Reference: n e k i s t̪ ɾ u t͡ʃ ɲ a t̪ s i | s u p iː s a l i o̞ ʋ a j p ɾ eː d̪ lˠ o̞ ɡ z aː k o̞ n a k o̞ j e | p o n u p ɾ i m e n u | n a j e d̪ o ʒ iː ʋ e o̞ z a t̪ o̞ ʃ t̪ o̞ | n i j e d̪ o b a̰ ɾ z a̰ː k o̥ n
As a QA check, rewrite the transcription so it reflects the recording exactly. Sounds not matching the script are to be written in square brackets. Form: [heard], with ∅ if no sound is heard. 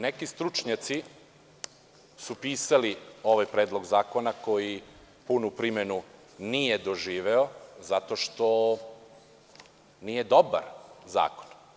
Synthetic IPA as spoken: n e k i s t̪ ɾ u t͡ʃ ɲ a t̪ s i | s u p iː s a l i o̞ ʋ a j p ɾ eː d̪ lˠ o̞ ɡ z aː k o̞ n a k o̞ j [i] | p [u] n u p ɾ i m e n u | n [i] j e d̪ o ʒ iː ʋ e o̞ z a t̪ o̞ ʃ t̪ o̞ | n i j e d̪ o b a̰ ɾ z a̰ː k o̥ n